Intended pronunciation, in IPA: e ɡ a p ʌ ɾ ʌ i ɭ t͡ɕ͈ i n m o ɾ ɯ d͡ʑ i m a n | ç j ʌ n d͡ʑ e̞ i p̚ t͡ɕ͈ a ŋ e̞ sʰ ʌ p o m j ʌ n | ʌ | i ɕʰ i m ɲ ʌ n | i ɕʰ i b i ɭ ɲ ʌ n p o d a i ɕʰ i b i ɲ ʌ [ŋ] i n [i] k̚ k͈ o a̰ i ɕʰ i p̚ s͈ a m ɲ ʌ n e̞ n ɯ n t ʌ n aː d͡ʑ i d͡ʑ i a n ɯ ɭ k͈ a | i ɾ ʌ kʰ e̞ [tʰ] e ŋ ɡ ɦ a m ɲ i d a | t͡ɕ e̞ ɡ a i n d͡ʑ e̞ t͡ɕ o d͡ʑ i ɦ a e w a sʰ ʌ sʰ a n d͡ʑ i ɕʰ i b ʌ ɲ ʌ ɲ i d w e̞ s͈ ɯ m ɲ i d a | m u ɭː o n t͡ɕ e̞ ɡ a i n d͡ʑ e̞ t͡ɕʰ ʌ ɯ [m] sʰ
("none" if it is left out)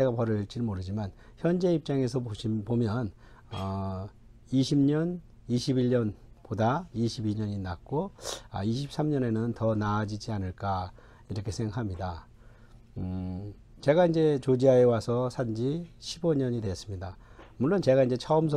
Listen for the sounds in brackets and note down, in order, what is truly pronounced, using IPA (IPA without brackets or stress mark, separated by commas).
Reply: ɲ, a, sʰ, m